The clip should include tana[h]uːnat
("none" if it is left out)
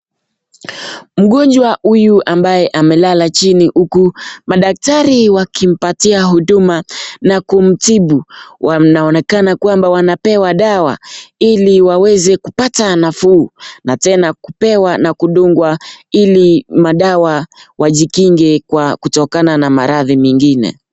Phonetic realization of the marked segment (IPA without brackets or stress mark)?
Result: f